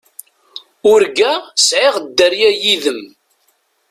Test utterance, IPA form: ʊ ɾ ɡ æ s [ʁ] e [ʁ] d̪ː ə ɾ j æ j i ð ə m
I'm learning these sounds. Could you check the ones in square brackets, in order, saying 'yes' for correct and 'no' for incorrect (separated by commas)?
no, yes